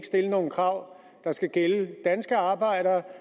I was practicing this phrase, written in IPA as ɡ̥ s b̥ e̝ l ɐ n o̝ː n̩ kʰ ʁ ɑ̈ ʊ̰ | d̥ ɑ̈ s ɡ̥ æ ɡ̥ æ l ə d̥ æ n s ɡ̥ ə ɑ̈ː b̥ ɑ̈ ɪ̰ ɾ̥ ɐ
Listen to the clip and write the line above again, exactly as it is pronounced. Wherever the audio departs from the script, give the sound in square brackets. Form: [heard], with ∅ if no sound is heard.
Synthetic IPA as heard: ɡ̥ s [d̥] e̝ l [ə] n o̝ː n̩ kʰ ʁ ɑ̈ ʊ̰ | d̥ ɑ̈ s ɡ̥ æ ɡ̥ [e] l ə d̥ æ n s ɡ̥ ə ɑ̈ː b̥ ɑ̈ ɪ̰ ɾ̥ ɐ